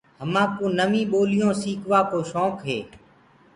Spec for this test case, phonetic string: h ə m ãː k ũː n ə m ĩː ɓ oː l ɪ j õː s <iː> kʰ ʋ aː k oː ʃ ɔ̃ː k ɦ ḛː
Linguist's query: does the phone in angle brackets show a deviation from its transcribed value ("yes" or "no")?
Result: no